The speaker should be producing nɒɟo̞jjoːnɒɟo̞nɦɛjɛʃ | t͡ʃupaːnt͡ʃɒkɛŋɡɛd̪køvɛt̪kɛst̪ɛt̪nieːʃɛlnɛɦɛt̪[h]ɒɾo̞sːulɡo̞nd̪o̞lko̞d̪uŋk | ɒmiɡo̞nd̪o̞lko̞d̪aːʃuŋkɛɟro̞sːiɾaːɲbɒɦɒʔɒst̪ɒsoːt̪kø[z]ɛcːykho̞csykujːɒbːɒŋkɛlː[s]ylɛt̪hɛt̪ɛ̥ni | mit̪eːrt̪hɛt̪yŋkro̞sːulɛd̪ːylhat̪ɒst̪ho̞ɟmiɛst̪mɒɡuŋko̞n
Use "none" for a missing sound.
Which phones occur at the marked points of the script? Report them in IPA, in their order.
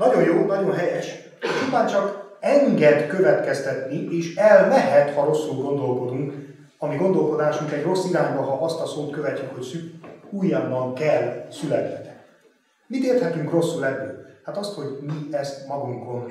h, v, s

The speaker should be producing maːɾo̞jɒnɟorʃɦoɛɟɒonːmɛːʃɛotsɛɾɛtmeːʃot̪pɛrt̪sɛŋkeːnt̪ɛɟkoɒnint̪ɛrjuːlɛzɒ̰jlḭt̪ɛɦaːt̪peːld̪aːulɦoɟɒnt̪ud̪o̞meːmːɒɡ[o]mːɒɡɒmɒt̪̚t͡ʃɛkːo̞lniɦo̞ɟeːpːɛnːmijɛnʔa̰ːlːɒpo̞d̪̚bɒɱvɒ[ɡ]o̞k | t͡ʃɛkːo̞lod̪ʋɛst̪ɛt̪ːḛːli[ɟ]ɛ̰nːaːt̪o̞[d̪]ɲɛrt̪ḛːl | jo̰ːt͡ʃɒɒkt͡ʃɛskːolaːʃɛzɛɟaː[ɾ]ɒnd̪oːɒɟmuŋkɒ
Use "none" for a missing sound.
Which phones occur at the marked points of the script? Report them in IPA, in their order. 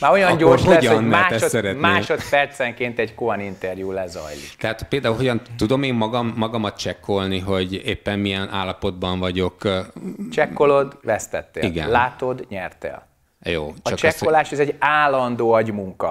ɒ, ɟ, ɡ, d̪, l

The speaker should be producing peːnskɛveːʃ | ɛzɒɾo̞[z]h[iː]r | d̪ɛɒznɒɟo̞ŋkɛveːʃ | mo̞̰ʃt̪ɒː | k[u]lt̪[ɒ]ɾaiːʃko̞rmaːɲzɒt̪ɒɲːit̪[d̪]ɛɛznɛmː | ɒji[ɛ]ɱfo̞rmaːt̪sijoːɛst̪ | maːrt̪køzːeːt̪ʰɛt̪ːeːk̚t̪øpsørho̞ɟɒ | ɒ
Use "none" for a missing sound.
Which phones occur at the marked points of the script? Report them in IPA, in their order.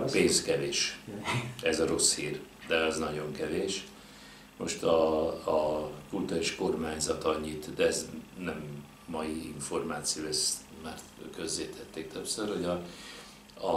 s, iː, u, u, d̪, i

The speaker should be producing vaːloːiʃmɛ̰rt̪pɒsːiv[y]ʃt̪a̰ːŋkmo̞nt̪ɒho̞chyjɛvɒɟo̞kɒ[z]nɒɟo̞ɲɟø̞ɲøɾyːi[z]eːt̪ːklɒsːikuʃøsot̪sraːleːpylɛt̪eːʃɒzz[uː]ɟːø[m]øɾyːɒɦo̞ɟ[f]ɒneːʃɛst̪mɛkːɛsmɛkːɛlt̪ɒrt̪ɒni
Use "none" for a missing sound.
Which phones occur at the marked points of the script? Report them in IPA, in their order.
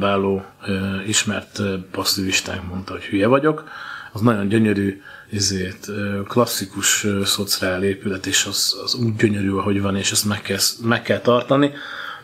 i, z, z, uː, ɲ, v

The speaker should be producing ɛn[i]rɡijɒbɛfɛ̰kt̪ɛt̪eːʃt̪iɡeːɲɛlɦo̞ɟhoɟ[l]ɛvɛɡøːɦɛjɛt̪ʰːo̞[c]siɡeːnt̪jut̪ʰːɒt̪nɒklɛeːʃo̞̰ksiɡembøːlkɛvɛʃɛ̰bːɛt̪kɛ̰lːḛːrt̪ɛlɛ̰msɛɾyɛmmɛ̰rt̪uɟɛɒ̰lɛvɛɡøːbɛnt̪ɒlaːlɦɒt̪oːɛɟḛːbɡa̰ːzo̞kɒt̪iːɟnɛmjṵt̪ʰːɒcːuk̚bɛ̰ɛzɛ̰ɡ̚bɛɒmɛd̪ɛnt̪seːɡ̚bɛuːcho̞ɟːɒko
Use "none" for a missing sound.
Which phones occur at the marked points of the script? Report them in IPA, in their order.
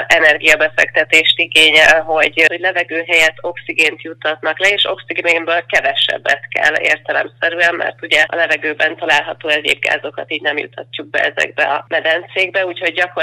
ɛ, l, k

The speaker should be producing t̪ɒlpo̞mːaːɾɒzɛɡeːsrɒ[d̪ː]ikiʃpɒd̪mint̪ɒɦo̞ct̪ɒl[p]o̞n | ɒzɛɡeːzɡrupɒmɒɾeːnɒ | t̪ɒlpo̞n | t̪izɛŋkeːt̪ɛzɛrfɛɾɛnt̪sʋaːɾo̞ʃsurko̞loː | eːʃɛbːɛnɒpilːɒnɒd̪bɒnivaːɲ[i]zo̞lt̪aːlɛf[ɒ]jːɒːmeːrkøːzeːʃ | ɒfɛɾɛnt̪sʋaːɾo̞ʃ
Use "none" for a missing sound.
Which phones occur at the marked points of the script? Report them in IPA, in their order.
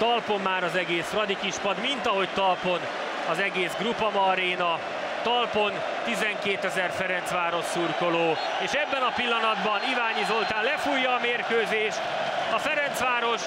d̪, p, i, u

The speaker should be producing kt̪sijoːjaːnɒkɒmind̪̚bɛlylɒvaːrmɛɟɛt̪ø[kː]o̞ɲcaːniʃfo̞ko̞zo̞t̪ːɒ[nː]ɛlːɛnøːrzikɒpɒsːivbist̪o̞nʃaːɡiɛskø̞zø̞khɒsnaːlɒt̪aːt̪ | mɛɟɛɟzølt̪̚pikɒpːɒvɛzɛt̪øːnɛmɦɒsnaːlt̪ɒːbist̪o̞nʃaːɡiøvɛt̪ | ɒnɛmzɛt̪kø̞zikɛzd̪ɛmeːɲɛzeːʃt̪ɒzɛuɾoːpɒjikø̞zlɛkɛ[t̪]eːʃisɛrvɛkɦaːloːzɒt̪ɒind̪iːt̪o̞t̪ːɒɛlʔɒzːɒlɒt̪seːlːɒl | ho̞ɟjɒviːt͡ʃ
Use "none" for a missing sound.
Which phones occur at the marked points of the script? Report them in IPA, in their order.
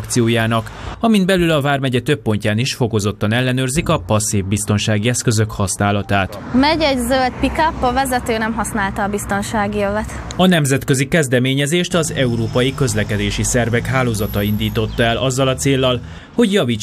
pː, n, d̪

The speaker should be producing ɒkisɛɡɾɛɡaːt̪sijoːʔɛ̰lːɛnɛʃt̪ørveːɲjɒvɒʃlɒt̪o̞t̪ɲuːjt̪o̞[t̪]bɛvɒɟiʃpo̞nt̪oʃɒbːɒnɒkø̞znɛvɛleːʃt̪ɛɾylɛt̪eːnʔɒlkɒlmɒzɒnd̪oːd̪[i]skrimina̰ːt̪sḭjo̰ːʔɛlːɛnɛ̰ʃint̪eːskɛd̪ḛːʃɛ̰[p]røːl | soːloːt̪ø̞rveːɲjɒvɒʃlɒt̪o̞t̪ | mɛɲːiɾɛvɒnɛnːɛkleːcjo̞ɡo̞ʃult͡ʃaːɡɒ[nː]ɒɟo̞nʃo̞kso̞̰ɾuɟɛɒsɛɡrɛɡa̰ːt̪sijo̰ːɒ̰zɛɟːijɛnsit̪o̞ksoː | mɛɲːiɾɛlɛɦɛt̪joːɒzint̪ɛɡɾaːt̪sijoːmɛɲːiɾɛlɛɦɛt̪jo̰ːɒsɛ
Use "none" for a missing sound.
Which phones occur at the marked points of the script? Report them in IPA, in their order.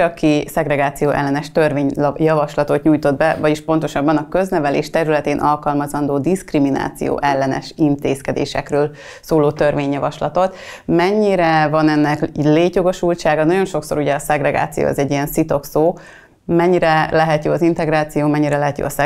d̪, i, k, n

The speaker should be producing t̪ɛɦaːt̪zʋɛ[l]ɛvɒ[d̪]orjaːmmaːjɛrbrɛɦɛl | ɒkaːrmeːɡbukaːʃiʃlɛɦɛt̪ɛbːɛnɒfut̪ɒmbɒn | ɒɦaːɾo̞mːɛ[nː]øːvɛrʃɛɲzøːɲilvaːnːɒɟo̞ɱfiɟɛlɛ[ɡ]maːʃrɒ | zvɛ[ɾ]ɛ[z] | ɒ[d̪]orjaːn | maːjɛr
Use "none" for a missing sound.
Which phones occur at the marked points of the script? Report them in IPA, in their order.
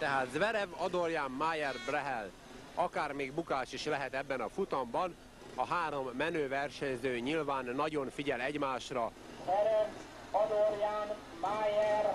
ɾ, d̪, n, ɟ, ɾ, v, d̪

